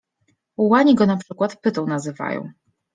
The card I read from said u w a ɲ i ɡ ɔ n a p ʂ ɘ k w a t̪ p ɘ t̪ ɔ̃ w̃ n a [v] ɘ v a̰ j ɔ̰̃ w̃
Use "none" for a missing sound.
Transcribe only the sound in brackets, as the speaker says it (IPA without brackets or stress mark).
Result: z